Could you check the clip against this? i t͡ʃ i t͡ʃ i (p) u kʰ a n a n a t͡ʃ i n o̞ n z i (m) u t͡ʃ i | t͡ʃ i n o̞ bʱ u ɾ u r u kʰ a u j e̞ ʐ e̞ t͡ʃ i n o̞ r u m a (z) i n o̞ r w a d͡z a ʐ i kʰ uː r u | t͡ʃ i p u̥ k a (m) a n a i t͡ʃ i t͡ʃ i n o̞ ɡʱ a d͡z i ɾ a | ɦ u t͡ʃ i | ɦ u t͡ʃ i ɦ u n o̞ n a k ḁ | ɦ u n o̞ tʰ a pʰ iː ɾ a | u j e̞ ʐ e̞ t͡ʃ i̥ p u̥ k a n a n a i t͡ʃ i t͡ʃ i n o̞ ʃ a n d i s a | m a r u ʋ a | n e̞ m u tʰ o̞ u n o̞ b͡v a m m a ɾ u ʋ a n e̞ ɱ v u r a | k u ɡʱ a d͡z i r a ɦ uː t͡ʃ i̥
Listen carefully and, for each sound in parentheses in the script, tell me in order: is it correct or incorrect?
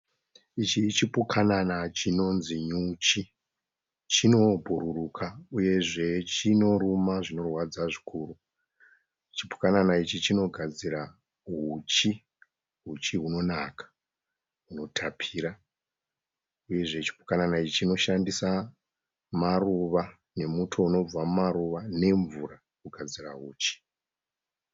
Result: correct, incorrect, incorrect, incorrect

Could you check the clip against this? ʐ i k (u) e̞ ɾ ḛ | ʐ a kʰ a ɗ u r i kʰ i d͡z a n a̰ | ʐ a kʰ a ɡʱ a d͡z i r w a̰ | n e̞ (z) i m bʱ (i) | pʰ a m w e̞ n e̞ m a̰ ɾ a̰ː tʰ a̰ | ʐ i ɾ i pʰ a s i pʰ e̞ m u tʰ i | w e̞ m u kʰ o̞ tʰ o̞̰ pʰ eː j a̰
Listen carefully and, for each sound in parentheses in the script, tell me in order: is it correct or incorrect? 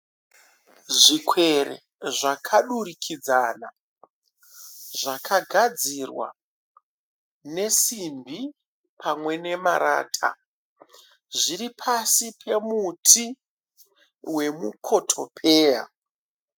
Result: incorrect, incorrect, correct

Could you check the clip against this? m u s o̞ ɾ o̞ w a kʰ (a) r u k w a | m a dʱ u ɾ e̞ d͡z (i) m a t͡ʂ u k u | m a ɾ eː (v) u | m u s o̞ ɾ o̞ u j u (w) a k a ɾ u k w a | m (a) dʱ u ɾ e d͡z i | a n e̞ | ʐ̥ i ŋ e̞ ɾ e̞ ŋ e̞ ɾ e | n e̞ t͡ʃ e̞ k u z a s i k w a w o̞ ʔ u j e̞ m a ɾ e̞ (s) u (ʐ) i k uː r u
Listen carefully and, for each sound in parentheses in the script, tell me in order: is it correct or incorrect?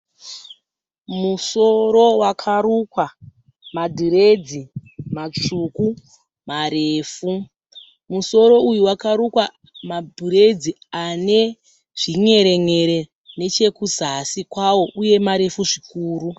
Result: correct, correct, incorrect, correct, correct, incorrect, correct

